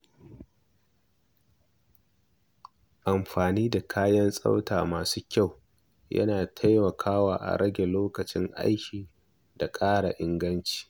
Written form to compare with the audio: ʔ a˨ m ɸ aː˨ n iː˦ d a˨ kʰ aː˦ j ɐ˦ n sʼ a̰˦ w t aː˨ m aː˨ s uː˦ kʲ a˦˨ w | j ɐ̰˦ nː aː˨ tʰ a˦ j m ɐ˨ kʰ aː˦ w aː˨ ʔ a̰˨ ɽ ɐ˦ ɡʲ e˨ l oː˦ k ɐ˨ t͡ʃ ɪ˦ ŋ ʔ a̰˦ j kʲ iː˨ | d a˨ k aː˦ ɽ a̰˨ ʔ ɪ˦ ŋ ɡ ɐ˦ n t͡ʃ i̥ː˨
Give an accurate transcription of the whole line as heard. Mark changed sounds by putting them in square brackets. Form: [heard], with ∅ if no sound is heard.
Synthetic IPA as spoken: ʔ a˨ m ɸ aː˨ n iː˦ d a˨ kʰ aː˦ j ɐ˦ n sʼ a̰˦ w t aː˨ m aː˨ s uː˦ kʲ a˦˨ w | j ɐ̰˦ [n] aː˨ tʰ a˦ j m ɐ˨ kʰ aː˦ w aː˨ ʔ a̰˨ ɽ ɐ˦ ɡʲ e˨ l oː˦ k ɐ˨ t͡ʃ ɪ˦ ŋ ʔ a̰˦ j kʲ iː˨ | d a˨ [kʼ] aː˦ ɽ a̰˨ ʔ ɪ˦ ŋ ɡ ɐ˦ n t͡ʃ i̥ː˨